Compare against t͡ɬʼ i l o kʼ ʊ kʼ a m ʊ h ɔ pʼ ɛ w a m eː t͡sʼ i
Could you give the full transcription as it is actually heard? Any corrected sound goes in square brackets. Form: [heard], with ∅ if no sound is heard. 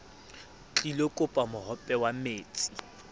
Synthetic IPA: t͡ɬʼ i l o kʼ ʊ [pʼ] a m ʊ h ɔ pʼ ɛ w a m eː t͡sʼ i

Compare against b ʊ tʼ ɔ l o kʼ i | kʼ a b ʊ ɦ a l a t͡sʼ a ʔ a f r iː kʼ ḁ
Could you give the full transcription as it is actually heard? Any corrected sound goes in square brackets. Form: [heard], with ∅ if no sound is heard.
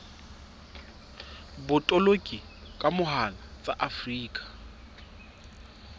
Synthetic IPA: b ʊ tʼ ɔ l o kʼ i | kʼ a [m] ʊ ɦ a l a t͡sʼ a ʔ a f r iː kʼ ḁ

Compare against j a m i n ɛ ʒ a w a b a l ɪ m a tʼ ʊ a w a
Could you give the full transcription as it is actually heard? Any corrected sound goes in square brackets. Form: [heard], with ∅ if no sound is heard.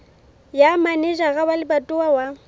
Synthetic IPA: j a m [a] n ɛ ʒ a [ɣ] a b a l ɪ [b] a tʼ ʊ a w a

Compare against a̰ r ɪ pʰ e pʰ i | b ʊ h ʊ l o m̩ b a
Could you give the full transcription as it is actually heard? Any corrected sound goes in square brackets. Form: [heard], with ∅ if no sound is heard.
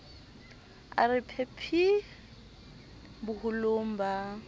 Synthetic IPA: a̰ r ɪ pʰ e pʰ i | b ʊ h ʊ l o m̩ b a

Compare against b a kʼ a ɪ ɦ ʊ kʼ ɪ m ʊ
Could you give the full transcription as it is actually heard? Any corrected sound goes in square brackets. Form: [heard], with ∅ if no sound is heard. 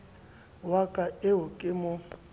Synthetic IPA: [w] a kʼ a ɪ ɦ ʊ kʼ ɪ m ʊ

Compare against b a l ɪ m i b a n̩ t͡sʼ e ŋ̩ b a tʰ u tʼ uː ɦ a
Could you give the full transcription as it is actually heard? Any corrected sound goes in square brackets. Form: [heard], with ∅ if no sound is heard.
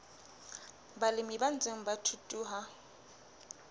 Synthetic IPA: b a l ɪ m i b a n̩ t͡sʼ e ŋ̩ b a tʰ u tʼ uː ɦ a

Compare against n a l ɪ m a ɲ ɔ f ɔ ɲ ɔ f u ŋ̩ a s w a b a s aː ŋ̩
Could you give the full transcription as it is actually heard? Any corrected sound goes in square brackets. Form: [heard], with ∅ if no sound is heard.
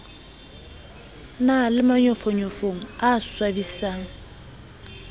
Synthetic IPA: n a l ɪ m a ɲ ɔ f ɔ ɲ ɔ f [o] ŋ̩ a s w a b [i] s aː ŋ̩

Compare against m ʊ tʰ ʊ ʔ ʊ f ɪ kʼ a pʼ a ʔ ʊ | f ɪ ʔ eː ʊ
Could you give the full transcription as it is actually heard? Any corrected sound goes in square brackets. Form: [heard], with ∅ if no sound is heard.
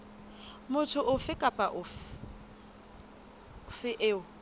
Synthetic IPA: m ʊ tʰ ʊ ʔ ʊ f ɪ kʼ a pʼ a ʔ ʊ | f ɪ ʔ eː ʊ

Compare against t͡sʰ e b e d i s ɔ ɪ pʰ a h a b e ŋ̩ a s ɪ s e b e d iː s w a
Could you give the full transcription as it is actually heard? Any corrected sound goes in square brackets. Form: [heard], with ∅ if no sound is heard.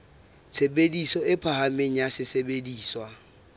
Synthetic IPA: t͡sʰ e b e d i s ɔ ɪ pʰ a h a [m] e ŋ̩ a s ɪ s e b e d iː s w a

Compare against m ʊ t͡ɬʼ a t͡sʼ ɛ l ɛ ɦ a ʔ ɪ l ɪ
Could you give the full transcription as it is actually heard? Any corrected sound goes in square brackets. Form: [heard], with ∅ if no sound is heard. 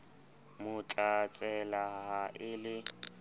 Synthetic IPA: m ʊ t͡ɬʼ a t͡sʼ ɛ l [a] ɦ a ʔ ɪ l ɪ

